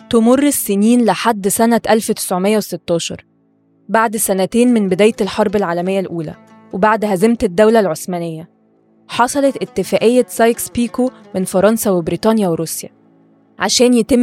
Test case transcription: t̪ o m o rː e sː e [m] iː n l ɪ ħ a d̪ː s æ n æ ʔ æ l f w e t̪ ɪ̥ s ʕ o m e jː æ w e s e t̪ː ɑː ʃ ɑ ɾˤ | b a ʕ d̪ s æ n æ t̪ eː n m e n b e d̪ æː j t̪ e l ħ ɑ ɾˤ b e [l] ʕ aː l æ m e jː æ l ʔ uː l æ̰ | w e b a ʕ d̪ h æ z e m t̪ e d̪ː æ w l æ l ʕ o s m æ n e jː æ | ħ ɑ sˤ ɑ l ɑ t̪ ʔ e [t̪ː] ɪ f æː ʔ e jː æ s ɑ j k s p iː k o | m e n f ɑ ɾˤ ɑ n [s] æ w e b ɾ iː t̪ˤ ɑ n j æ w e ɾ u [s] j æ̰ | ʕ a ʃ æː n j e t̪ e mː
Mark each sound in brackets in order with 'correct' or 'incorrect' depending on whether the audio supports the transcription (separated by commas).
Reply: incorrect, correct, correct, correct, correct